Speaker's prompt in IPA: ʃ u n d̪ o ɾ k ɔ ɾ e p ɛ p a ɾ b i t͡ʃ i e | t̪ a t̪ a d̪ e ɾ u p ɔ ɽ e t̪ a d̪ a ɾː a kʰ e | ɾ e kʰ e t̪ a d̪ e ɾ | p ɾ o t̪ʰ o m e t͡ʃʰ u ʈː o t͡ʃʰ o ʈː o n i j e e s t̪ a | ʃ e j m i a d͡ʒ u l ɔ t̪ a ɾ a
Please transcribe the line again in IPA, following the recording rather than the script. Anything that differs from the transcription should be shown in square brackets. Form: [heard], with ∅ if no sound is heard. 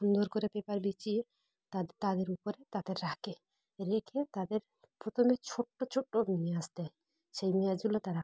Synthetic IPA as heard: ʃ u n d̪ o ɾ k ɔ ɾ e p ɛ p a ɾ b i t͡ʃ i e | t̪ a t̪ a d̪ e ɾ u p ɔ [ɾ] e t̪ a d̪ [e] ɾː a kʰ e | ɾ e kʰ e t̪ a d̪ e ɾ | p ɾ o t̪ʰ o m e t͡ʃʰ [o] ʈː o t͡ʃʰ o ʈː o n i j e [a] s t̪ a | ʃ e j m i a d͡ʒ u l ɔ t̪ a ɾ a

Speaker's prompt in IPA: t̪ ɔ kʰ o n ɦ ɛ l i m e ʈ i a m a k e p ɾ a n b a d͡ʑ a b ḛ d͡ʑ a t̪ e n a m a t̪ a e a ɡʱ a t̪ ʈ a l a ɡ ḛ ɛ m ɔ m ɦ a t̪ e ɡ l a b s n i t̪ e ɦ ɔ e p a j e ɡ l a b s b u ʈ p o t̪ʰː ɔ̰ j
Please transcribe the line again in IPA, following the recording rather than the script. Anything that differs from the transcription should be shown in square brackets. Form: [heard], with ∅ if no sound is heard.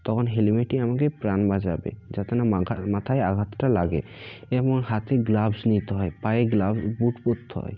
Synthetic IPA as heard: t̪ ɔ kʰ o n ɦ [e] l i m e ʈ i a m a k e p ɾ a n b a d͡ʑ a b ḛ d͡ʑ a t̪ e n a m a [t̪ʰ] a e a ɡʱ a t̪ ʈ a l a ɡ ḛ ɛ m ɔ [ŋ] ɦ a t̪ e ɡ l a b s n i t̪ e ɦ ɔ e p a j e ɡ l a b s b u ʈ p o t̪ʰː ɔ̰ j

